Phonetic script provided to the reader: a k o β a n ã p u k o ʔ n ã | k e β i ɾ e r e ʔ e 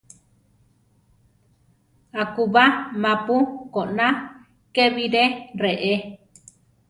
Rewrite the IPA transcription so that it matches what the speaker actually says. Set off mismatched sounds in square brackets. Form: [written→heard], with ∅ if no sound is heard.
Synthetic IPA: a k [o→u] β a [n→m] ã p u k o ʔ n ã | k e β i ɾ e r e ʔ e